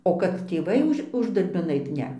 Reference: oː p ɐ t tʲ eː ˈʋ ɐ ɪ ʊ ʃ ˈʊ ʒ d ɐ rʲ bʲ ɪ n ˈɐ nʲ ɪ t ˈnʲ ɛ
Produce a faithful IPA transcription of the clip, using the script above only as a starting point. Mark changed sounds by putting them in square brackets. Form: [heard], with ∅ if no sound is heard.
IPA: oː [k] ɐ t tʲ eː ˈʋ ɐ ɪ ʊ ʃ ˈʊ ʒ d ɐ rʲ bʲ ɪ n ˈɐ [∅] ɪ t ˈnʲ ɛ